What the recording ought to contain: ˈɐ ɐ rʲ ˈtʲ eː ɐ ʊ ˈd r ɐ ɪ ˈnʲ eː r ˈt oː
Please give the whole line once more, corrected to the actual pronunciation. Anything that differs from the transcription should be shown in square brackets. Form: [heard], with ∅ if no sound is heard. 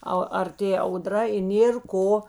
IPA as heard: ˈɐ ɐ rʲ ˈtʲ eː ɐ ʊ ˈd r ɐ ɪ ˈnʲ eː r [ˈk] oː